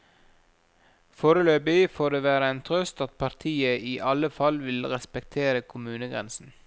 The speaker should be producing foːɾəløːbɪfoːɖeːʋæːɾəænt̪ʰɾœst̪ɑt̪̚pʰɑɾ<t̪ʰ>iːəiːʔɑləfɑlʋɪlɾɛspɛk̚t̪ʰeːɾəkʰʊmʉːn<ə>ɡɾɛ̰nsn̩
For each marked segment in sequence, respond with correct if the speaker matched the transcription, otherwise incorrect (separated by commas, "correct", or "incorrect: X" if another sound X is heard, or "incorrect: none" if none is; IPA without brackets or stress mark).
correct, correct